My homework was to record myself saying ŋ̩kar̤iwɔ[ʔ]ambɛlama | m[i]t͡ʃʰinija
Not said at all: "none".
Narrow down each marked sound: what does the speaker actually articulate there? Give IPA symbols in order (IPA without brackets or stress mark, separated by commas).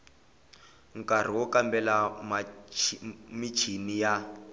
k, i